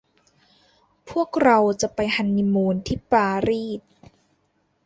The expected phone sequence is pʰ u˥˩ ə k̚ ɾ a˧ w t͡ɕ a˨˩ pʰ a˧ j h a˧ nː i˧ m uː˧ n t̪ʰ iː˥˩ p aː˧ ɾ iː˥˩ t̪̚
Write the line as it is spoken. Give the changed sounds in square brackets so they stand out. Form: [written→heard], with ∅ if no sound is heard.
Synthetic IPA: pʰ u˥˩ ə k̚ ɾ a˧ w t͡ɕ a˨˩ [pʰ→p] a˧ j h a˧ nː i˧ m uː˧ n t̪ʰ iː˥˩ p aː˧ ɾ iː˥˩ t̪̚